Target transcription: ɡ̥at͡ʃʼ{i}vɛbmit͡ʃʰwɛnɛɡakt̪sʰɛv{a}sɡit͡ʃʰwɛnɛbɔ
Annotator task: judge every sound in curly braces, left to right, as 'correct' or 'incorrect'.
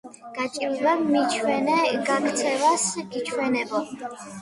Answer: correct, correct

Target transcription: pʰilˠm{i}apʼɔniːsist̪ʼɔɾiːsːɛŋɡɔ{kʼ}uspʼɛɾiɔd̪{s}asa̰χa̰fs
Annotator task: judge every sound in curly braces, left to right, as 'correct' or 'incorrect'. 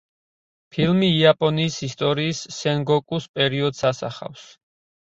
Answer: incorrect: iː, correct, correct

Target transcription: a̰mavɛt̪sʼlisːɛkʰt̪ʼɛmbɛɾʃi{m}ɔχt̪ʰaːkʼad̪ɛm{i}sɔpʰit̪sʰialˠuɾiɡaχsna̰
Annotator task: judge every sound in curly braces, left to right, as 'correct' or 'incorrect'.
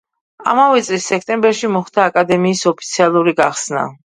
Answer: correct, incorrect: iː

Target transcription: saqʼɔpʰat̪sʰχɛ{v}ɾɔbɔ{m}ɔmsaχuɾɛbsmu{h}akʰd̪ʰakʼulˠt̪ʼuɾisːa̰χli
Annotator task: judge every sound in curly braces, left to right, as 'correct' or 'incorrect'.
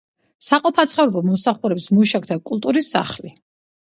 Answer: correct, correct, incorrect: ʃ

